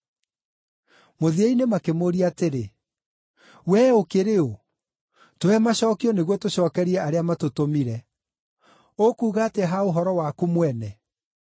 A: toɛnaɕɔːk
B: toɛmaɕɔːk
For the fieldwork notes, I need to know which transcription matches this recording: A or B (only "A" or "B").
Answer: B